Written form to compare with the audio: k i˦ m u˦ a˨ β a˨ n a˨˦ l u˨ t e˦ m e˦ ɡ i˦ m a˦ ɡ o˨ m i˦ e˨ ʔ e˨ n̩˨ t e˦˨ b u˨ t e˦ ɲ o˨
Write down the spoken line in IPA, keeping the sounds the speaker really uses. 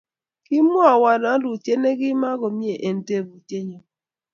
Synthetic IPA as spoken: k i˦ m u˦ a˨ w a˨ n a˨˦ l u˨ t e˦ n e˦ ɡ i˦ m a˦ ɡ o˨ m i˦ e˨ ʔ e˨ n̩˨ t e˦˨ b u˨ t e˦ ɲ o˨